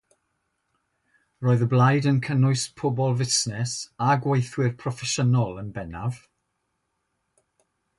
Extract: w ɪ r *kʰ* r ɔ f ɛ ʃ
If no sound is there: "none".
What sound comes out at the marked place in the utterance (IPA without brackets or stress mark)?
pʰ